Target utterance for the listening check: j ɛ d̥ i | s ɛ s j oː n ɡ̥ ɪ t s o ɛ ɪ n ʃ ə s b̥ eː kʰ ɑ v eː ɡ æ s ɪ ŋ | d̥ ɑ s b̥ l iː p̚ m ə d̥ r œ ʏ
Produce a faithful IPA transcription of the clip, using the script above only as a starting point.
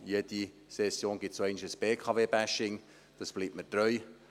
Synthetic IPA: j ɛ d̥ i | s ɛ s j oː n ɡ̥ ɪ t s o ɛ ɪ n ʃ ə s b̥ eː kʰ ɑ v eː b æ ʃ ɪ ŋ | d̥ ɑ s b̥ l iː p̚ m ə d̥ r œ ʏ